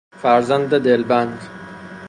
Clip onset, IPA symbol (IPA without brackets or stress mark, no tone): f